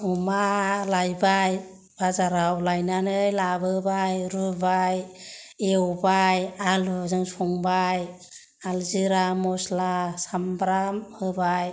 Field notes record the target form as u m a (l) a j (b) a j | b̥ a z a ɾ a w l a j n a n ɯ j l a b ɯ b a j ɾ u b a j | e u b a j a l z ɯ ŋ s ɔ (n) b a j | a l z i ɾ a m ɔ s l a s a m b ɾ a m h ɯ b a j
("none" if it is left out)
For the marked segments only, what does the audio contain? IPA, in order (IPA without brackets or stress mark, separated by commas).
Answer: l, b, ŋ